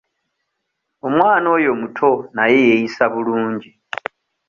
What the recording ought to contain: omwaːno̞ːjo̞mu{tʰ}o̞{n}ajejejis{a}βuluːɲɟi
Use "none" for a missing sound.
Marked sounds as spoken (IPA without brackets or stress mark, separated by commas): tʰ, n, a